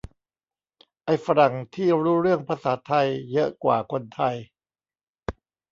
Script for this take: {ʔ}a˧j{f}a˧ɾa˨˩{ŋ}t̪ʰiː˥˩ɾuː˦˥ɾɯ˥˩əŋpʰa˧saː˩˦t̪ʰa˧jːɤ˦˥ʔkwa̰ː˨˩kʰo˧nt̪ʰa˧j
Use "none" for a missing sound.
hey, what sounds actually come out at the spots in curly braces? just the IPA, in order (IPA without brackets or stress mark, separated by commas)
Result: ʔ, f, ŋ